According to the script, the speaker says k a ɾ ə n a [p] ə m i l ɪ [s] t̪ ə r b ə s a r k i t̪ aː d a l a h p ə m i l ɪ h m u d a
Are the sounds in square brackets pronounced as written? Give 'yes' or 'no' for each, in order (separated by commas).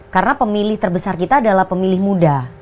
yes, no